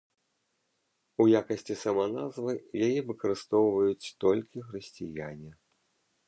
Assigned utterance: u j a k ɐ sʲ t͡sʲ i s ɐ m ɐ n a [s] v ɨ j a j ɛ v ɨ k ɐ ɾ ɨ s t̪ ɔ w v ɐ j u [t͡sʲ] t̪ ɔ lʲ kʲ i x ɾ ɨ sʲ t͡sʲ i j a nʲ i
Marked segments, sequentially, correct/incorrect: incorrect, correct

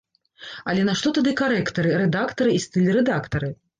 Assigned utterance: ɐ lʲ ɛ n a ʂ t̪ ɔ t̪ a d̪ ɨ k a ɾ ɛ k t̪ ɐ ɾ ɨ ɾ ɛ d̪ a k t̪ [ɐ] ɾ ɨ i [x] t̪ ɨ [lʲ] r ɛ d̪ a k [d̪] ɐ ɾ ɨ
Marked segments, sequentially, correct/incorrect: correct, incorrect, correct, incorrect

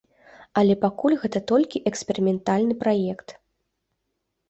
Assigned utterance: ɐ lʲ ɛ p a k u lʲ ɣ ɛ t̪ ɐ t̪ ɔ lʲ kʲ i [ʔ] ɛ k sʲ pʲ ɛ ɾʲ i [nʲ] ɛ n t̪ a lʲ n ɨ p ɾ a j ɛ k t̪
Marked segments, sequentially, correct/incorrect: correct, incorrect

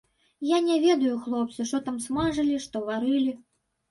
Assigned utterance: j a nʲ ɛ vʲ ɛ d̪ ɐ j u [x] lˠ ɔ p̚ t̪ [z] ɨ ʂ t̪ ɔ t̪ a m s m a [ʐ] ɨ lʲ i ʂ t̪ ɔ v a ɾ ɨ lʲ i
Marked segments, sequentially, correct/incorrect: correct, incorrect, correct

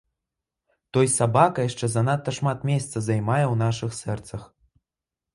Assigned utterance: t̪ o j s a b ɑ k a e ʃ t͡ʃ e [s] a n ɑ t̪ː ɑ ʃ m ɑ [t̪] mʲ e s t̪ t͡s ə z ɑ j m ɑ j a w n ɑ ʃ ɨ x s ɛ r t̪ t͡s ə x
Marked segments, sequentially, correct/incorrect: incorrect, correct

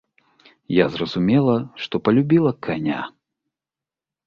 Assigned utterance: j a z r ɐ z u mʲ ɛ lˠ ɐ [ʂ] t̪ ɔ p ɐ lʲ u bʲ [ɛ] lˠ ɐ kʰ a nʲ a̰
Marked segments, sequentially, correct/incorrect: correct, incorrect

